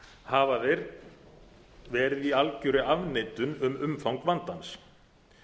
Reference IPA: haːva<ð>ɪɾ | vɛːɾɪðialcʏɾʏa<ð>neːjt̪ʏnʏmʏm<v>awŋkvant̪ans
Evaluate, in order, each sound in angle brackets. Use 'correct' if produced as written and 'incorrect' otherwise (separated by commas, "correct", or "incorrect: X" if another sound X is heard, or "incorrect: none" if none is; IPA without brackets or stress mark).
correct, incorrect: v, incorrect: f